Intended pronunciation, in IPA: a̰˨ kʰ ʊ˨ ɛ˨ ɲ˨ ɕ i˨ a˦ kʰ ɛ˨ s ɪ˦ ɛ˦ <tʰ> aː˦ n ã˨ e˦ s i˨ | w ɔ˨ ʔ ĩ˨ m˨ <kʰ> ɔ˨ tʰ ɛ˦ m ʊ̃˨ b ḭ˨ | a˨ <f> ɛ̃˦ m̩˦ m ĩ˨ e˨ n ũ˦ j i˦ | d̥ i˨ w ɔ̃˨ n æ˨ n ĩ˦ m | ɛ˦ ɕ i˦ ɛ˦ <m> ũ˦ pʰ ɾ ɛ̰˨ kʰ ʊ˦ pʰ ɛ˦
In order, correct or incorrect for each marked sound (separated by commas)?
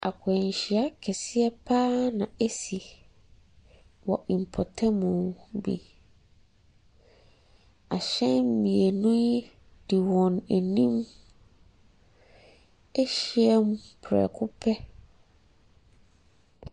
incorrect, incorrect, incorrect, correct